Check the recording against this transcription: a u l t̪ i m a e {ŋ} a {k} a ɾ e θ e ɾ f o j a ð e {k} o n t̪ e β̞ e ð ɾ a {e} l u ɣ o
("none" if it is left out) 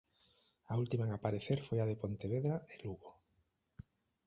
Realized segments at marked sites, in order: ŋ, p, p, e

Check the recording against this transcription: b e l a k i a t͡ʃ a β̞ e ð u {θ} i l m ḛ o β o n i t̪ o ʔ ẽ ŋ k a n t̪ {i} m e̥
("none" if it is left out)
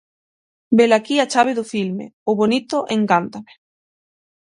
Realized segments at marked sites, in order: f, a

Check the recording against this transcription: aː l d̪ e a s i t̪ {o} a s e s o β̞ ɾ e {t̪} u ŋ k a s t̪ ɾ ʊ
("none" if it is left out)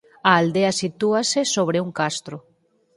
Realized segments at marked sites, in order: u, none

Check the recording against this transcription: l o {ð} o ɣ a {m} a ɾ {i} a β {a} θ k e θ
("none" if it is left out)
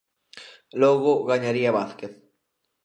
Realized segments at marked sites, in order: ɣ, ɲ, i, a

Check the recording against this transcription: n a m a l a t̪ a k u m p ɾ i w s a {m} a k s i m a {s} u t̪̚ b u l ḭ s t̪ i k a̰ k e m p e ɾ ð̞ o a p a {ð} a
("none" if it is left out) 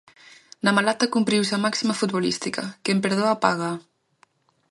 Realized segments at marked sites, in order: m, f, ɣ

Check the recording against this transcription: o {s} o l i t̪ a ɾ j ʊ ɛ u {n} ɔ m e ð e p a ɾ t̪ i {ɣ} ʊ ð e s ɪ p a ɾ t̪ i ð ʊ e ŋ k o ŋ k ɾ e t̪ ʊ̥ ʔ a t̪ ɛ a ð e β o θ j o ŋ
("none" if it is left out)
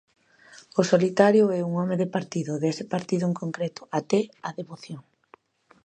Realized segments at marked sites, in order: s, ŋ, ð

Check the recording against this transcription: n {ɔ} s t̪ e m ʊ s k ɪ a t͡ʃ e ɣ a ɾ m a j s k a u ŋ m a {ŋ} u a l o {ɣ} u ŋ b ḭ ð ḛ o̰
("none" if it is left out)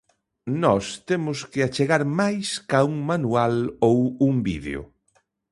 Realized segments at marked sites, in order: ɔ, n, w

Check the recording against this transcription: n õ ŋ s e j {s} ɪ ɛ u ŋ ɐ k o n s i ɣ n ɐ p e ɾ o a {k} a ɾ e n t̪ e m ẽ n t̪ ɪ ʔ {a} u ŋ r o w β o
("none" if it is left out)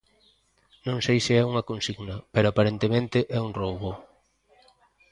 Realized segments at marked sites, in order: s, p, ɛ

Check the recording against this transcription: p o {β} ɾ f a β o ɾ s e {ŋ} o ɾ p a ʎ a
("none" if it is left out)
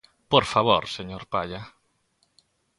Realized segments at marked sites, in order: none, ɲ

